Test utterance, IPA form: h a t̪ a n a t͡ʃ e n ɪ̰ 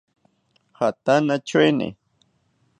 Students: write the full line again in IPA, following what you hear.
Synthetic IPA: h a t̪ a n a t͡ʃ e n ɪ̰